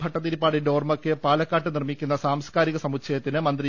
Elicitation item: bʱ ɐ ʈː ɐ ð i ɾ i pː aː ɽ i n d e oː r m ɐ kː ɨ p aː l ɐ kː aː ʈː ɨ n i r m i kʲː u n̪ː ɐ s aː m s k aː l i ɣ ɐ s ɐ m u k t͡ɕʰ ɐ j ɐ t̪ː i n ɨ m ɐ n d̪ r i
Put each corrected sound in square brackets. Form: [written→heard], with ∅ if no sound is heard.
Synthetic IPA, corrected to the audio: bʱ ɐ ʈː ɐ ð i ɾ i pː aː ɽ i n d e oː r m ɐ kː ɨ p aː l ɐ kː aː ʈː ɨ n i r m i kʲː u n̪ː ɐ s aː m s k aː [l→ɾ] i ɣ ɐ s ɐ m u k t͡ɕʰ ɐ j ɐ t̪ː i n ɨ m ɐ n d̪ r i